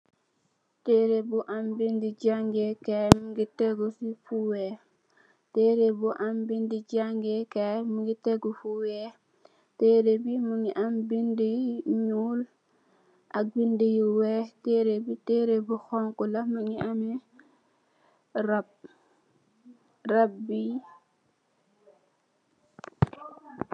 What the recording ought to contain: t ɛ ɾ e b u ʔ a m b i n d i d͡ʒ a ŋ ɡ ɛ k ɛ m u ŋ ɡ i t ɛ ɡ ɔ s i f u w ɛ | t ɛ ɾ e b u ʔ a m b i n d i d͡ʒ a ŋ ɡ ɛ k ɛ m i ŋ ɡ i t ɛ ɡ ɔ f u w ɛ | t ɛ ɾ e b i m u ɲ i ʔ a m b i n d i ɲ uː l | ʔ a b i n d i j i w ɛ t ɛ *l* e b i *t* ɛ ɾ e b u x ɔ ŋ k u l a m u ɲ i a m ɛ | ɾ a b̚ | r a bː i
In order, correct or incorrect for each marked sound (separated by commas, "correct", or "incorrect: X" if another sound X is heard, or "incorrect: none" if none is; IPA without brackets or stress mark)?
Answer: incorrect: ɾ, correct